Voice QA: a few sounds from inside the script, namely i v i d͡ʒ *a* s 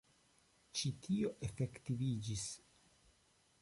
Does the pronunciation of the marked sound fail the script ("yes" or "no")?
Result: yes